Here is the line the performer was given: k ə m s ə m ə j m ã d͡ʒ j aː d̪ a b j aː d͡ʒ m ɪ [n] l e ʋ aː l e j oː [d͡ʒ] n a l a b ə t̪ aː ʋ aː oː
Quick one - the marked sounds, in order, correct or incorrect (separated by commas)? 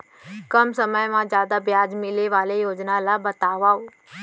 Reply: incorrect, correct